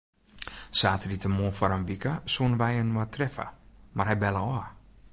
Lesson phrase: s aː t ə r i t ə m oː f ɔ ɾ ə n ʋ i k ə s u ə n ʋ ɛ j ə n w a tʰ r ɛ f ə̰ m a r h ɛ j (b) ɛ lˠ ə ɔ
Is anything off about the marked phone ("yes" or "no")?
no